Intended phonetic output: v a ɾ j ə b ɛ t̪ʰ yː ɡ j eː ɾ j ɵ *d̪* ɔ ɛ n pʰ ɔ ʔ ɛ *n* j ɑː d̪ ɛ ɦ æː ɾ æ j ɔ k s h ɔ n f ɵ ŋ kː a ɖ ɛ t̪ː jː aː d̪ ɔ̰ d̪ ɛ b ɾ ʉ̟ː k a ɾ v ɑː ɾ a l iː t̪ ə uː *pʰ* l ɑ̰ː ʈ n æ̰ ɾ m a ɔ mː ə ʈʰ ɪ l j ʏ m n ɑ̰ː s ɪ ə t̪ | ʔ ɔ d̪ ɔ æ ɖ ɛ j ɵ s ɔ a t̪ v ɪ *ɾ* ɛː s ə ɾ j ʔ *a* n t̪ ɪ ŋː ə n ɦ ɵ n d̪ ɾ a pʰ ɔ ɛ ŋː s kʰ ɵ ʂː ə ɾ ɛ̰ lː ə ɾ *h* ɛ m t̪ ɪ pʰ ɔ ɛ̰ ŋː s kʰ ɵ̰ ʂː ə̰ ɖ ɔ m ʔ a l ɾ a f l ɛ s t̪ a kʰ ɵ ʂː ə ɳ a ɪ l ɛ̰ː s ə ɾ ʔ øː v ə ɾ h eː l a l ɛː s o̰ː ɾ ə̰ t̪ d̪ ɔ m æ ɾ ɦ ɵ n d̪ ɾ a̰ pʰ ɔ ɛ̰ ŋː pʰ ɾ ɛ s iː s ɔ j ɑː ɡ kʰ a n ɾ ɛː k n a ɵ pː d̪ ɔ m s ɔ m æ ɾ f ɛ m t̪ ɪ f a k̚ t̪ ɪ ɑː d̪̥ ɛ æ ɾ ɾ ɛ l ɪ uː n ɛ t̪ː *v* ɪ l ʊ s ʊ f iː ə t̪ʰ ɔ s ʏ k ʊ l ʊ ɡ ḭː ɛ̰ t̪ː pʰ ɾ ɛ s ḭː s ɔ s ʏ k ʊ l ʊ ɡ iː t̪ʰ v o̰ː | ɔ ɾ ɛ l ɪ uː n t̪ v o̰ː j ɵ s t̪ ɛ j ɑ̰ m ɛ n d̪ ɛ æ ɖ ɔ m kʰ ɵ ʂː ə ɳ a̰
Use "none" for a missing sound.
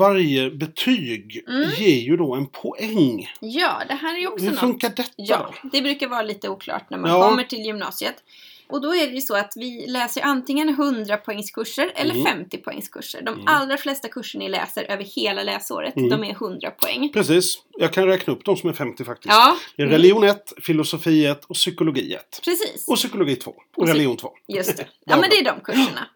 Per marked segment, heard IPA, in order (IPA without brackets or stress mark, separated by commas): d̪, ŋ, kʰ, l, a, f, f